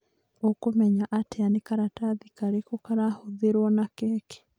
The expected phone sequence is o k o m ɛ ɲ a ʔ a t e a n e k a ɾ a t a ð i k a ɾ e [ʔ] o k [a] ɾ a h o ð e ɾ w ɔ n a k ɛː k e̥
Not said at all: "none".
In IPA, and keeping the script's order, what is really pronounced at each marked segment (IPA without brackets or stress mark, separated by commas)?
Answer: k, a